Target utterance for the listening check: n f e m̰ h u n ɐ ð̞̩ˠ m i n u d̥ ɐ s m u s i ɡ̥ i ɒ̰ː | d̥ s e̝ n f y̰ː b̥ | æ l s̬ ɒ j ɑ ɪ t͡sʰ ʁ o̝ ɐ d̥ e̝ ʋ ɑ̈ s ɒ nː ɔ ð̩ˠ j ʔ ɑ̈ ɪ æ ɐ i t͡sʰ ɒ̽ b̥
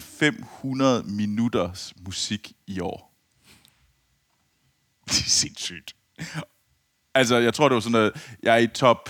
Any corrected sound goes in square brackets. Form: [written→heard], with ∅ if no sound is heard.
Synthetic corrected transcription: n f e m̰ h u n ɐ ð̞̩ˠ m i n u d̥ ɐ s m u s i ɡ̥ i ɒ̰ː | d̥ s e̝ n [f→s] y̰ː [b̥→d̥] | æ l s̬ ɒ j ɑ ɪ t͡sʰ ʁ o̝ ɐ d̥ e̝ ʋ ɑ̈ s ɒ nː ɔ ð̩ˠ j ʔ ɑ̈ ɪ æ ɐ i t͡sʰ ɒ̽ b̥